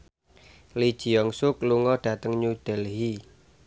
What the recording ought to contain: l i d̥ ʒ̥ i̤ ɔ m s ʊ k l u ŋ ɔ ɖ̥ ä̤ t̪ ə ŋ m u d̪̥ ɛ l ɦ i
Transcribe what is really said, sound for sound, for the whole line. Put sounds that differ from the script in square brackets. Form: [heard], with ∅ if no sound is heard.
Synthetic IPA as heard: l i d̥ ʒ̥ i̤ ɔ [ŋ] s ʊ k l u ŋ ɔ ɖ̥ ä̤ t̪ ə ŋ [ɲ] u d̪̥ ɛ l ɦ i